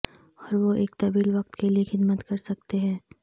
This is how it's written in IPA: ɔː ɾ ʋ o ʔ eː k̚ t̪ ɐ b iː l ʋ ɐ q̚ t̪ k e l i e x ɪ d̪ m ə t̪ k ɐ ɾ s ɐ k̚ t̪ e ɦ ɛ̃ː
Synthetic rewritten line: ɔː ɾ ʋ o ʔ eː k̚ t̪ ɐ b iː l ʋ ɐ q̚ t̪ k e l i e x ɪ d̪ m ə t̪ k ɐ ɾ s ɐ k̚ t̪ e ɦ ɛ̃ː

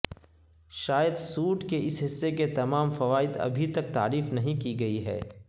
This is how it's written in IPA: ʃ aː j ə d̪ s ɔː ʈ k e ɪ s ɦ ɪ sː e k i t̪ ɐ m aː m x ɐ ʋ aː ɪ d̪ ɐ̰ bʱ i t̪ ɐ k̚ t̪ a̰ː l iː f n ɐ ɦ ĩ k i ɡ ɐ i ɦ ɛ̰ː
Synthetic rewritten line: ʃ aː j ə d̪ s uː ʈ k e ɪ s ɦ ɪ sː e k e t̪ ɐ m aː m f ɐ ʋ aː ɪ d̪ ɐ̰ bʱ i t̪ ɐ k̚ t̪ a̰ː ɾ iː f n ɐ ɦ ĩ k i ɡ ɐ i ɦ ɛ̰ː

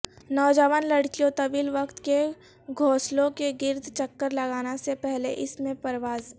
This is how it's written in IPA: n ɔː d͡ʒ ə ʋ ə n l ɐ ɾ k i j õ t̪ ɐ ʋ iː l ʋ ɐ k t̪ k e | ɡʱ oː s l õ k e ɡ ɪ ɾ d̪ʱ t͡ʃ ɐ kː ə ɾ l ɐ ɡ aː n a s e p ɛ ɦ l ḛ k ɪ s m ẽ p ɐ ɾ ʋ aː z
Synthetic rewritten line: n ɔː d͡ʒ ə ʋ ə n l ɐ ɽ k i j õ t̪ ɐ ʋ iː l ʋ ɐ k t̪ k e | ɡʱ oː s l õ k e ɡ ɪ ɾ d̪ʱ t͡ʃ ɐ kː ə ɾ l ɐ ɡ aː n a s e p ɛ ɦ l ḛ ʔ ɪ s m ẽ p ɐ ɾ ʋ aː z

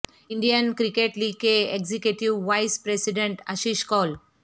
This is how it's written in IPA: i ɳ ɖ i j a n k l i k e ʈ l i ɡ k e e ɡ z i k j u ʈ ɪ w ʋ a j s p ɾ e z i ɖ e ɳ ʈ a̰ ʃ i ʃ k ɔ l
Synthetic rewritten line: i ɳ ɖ i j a n k ɾ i k e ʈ l i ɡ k e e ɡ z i k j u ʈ i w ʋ a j s p ɾ e s i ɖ e ɳ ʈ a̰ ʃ i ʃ k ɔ l

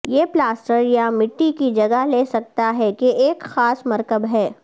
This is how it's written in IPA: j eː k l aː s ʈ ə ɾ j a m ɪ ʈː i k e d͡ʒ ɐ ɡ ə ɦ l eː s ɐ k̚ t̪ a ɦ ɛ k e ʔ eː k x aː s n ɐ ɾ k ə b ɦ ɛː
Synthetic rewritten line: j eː p l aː s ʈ ə ɾ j a m ɪ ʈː i k i d͡ʒ ɐ ɡ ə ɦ l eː s ɐ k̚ t̪ a ɦ ɛ k e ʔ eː k x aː s m ɐ ɾ k ə b ɦ ɛː

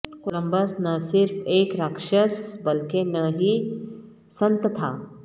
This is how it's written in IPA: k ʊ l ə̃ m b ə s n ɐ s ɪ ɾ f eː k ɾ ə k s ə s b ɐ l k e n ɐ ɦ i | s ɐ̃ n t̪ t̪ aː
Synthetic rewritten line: k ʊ l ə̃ m b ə s n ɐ s ɪ ɾ f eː k ɾ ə k ʃ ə s b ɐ l k e n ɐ ɦ i | s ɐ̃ n t̪ t̪ʰ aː

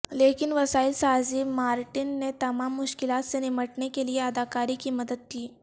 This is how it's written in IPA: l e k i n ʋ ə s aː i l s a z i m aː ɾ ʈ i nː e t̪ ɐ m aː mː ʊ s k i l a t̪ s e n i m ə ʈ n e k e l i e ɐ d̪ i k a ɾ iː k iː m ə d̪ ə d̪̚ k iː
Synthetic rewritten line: l e k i n ʋ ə s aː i l s a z i m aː ɾ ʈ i nː e t̪ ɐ m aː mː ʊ ʃ k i l a t̪ s e n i m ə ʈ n e k e l i e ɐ d̪ a k a ɾ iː k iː m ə d̪ ə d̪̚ k iː

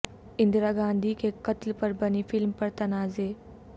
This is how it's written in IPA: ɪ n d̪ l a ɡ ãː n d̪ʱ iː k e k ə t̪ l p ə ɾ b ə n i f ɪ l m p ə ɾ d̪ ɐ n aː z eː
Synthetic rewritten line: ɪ n d̪ ɾ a ɡ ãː n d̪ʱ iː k e k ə t̪ l p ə ɾ b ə n i f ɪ l m p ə ɾ t̪ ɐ n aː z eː

